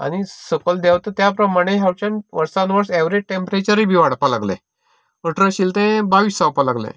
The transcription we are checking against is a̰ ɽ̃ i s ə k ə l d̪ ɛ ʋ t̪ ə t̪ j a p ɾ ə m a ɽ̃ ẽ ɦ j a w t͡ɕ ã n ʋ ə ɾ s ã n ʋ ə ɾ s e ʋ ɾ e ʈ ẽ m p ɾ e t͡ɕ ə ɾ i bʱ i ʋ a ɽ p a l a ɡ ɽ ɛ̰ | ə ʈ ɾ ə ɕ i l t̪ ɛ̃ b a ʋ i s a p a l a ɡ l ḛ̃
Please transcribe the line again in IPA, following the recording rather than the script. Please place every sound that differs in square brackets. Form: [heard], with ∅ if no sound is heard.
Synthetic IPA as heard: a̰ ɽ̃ i s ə k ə l d̪ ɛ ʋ t̪ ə t̪ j a p ɾ ə m a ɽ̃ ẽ ɦ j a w t͡ɕ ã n ʋ ə ɾ s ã n ʋ ə ɾ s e ʋ ɾ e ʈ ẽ m p ɾ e t͡ɕ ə ɾ i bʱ i ʋ a ɽ p a l a ɡ [l] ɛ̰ | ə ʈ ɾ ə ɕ i l t̪ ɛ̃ b a ʋ i s a p a l a ɡ l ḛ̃